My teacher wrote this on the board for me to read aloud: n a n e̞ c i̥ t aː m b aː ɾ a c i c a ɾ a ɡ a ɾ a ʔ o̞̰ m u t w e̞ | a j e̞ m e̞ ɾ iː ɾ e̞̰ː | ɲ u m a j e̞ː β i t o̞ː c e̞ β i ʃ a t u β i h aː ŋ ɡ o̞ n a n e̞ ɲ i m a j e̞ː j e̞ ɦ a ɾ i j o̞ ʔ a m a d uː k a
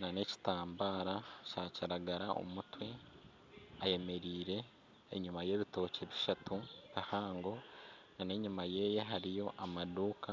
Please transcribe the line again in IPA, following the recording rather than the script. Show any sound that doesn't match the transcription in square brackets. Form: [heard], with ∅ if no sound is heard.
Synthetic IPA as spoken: n a n e̞ c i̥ t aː m b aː ɾ a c [a] c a ɾ a ɡ a ɾ a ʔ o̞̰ m u t w e̞ | a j e̞ m e̞ ɾ iː ɾ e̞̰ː | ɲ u m a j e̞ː β i t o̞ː c e̞ β i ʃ a t u β i h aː ŋ ɡ o̞ n a n e̞ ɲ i m a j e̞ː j e̞ ɦ a ɾ i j o̞ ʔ a m a d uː k a